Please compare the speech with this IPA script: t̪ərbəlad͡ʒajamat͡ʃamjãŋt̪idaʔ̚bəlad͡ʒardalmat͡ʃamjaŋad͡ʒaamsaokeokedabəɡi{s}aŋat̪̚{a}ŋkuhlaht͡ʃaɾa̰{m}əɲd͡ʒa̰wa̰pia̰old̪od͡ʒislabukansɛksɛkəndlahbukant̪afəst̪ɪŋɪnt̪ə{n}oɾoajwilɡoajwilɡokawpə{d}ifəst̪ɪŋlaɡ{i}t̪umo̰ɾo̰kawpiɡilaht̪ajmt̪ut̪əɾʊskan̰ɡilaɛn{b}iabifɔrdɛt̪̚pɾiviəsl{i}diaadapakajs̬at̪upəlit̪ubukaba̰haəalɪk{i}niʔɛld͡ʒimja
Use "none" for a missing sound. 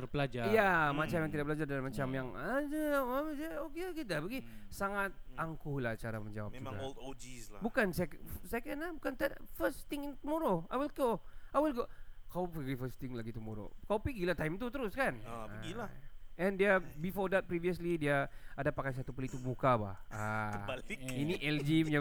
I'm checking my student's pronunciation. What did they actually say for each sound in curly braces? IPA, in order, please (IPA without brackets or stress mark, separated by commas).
s, a, m, m, ɡ, i, d, i, i